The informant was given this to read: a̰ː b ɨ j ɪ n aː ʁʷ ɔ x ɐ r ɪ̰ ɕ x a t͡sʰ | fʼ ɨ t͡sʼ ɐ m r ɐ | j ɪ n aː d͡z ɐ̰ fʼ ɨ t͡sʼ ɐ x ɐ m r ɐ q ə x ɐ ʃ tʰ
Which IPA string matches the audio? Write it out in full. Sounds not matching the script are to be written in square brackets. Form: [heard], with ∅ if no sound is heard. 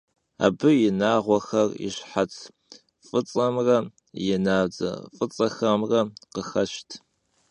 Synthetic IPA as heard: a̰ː b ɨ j ɪ n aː ʁʷ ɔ x ɐ r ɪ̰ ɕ [ħ] a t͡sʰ | fʼ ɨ t͡sʼ ɐ m r ɐ | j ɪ n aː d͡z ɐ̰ fʼ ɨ t͡sʼ ɐ x ɐ m r ɐ q ə x ɐ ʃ tʰ